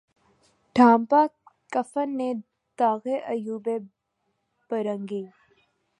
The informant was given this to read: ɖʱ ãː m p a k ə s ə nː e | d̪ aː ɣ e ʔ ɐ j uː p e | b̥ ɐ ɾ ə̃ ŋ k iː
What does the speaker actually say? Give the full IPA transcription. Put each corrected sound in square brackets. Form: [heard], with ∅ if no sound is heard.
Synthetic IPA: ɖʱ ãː m p a k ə [f] ə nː e | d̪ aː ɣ e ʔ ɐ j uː [b] e | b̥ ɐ ɾ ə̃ ŋ [ɡ] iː